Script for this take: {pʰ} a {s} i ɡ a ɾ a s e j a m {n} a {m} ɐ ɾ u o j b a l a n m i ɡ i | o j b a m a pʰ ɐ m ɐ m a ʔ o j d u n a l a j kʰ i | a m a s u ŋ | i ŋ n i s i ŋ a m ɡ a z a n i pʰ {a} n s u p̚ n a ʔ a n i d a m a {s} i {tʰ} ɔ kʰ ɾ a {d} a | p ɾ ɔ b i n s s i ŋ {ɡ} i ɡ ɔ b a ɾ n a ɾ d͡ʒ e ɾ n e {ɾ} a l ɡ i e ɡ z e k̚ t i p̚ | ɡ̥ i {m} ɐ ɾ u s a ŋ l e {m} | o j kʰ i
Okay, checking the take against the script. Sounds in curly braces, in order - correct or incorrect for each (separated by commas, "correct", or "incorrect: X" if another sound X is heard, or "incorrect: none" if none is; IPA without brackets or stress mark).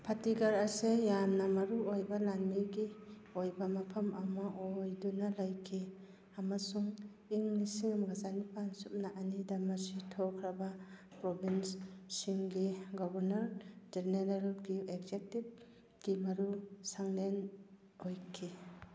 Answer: correct, incorrect: t, correct, correct, correct, correct, correct, incorrect: b, correct, correct, correct, incorrect: n